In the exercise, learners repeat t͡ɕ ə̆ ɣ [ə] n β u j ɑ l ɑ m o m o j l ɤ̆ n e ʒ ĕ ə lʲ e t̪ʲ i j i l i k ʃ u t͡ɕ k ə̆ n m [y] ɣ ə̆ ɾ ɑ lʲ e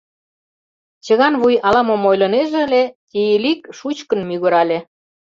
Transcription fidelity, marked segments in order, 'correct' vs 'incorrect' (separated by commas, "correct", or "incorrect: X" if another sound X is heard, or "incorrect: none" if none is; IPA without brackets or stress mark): incorrect: ɑ, correct